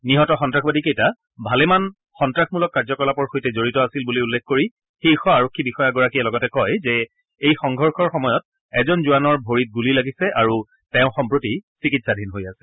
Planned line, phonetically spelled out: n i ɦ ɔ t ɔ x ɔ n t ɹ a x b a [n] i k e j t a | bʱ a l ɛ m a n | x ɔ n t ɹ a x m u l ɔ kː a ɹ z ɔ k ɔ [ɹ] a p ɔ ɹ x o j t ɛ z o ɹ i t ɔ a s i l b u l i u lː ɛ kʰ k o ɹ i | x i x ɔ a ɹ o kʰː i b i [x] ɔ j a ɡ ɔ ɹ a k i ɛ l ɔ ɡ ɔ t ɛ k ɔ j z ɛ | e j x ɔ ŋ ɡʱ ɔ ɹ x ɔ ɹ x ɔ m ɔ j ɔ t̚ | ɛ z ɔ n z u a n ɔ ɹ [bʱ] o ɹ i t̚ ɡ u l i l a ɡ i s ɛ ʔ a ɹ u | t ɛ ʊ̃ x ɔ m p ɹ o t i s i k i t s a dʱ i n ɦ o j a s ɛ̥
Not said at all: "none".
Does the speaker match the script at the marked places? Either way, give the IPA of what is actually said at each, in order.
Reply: d, l, x, bʱ

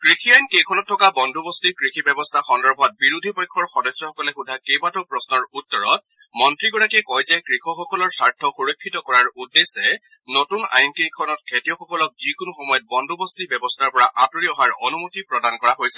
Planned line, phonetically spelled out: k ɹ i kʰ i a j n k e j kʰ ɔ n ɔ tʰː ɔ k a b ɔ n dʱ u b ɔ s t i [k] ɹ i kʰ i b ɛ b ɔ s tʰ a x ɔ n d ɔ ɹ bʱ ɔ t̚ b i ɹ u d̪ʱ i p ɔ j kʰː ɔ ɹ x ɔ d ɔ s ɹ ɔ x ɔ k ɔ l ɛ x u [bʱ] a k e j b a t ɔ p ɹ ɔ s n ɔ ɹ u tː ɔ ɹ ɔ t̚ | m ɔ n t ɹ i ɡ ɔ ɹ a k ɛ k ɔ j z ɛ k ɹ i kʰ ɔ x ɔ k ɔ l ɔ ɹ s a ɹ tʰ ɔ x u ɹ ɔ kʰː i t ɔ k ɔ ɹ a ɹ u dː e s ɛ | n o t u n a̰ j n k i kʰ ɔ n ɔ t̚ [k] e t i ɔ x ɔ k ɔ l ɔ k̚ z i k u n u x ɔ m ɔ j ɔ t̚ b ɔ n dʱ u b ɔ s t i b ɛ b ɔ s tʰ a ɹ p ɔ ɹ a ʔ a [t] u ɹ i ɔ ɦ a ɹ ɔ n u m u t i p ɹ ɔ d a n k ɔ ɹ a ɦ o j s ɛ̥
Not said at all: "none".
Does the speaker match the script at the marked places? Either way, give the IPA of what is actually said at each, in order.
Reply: k, dʱ, kʰ, t

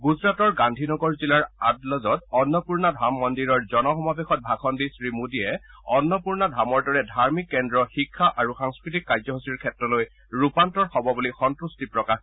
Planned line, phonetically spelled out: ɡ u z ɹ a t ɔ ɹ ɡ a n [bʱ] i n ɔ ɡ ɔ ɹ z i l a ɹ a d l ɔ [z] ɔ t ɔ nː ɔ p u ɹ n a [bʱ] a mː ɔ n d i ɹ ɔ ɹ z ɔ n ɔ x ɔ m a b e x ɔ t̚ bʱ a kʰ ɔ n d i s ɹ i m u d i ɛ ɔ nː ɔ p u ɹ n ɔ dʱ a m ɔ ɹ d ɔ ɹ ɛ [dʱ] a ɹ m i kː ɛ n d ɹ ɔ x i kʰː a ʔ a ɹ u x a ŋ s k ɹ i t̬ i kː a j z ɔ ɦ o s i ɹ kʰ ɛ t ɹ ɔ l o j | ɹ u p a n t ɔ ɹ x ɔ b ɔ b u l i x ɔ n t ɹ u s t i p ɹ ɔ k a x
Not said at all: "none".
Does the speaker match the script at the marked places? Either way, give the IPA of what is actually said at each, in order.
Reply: dʱ, z, dʱ, dʱ

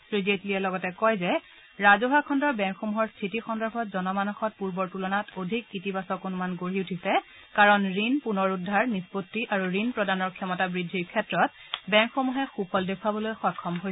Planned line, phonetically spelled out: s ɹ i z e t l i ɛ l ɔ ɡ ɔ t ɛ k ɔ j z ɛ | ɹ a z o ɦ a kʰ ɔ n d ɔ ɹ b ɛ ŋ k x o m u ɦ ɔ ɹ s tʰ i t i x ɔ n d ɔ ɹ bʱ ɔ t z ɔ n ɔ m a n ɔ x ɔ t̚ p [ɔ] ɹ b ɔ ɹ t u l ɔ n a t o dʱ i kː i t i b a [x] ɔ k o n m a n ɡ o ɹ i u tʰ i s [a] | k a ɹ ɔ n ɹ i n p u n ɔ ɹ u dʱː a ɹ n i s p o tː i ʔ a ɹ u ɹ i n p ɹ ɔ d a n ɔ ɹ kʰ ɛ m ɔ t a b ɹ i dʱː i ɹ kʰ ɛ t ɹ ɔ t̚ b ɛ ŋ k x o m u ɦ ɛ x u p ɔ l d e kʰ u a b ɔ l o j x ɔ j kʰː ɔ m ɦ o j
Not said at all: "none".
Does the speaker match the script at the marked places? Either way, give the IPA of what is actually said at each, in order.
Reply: u, s, ɛ

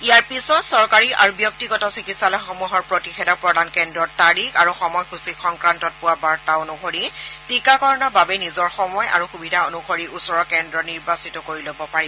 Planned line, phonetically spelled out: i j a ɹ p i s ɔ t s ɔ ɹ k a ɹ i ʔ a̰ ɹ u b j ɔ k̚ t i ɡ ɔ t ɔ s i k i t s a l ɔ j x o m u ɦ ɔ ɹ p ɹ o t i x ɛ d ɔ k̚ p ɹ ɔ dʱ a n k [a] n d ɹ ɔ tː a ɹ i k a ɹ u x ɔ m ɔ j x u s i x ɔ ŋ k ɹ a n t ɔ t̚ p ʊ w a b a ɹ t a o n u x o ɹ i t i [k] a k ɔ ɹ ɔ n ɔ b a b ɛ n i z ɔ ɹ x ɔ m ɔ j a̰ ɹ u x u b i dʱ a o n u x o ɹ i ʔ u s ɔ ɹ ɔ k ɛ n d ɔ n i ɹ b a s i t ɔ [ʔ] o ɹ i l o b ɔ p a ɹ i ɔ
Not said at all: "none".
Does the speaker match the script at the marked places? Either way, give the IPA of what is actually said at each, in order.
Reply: ɛ, k, k

